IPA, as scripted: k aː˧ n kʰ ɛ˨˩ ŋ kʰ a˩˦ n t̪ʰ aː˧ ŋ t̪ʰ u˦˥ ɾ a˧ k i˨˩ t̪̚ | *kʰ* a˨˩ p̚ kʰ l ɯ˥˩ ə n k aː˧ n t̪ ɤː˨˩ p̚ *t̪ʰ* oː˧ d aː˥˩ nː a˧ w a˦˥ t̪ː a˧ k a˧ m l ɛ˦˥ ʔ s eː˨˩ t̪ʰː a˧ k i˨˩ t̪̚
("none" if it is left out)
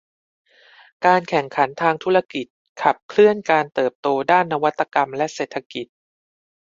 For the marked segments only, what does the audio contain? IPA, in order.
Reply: kʰ, t̪

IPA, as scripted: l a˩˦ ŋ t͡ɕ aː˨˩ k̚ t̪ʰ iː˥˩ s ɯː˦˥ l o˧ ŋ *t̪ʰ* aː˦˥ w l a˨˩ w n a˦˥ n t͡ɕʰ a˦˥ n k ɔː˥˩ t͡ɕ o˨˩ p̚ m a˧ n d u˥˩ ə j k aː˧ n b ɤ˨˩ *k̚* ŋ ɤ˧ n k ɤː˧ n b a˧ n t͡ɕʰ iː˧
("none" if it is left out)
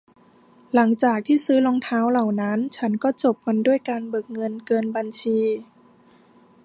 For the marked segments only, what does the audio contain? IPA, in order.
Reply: t̪ʰ, k̚

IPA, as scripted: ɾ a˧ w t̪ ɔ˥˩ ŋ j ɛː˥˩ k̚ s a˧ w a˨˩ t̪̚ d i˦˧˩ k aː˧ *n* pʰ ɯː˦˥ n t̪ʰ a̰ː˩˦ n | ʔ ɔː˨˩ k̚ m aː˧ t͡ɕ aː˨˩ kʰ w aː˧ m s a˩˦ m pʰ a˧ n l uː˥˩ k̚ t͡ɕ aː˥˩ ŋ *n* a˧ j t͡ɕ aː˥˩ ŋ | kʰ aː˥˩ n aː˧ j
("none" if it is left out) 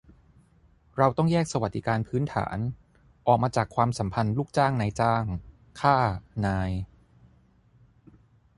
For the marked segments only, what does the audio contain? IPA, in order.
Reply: n, n

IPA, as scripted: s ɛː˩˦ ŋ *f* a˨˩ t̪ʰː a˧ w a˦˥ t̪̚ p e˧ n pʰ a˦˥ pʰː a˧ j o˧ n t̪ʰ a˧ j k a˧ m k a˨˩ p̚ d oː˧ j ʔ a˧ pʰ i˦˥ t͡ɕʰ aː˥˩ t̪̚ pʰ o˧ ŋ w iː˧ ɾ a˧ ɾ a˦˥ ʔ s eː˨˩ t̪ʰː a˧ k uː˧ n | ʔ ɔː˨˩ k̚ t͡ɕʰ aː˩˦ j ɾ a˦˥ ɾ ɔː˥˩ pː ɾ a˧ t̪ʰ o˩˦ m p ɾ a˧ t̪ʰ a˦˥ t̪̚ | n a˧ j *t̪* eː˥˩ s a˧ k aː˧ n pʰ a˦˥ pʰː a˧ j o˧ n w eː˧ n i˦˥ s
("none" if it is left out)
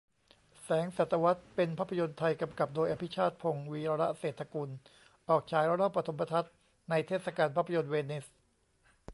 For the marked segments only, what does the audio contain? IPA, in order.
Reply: s, t̪ʰ

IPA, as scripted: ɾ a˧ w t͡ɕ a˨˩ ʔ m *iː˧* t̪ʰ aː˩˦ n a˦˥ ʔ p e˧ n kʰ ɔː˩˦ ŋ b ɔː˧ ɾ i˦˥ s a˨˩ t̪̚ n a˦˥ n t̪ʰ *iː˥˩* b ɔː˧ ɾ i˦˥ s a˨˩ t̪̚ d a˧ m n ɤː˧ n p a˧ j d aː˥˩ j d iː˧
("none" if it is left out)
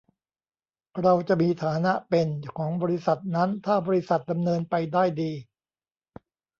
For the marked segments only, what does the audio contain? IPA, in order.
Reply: iː˧, aː˥˩

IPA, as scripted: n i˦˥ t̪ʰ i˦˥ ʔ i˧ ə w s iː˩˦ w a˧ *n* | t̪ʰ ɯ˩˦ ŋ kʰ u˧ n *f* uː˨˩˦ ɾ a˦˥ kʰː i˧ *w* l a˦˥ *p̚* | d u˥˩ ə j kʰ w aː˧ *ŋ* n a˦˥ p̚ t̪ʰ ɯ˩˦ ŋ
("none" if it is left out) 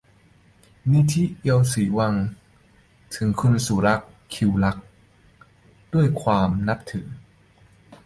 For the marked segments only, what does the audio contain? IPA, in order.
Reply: ŋ, s, w, k̚, m

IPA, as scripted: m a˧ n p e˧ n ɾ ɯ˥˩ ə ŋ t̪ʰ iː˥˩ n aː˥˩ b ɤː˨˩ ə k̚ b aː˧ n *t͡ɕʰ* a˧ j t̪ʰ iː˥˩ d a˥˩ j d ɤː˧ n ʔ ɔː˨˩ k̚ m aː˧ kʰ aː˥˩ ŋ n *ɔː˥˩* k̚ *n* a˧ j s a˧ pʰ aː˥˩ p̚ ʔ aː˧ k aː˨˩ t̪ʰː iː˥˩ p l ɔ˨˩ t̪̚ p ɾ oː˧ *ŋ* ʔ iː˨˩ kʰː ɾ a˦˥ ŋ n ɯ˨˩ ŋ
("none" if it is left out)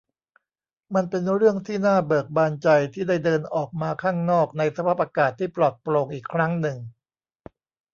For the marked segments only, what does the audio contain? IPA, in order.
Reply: t͡ɕ, ɔː˥˩, n, ŋ

